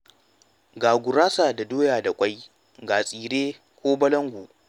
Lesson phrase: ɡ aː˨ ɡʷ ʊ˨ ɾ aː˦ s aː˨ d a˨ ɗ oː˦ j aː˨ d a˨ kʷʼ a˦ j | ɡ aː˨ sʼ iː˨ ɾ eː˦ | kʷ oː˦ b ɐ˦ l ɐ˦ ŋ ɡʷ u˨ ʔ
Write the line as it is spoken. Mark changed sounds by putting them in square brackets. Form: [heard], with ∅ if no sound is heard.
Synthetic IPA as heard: ɡ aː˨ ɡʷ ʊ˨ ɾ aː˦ s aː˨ d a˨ [d] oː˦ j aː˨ d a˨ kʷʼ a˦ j | ɡ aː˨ sʼ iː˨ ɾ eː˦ | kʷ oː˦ b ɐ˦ l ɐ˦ ŋ ɡʷ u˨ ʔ